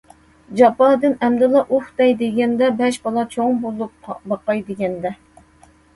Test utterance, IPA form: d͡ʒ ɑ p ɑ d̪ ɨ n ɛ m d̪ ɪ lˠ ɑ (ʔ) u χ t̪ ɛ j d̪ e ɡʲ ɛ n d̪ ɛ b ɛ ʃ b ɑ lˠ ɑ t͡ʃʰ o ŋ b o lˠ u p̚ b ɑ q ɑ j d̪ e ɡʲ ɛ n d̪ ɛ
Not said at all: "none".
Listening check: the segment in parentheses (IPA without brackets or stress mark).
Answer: ʔ